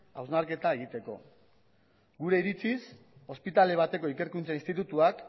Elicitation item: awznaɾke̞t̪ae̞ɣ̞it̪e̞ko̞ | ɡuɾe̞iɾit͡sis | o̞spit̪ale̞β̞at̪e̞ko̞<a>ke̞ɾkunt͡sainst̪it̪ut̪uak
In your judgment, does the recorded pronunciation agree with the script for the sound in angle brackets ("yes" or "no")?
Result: no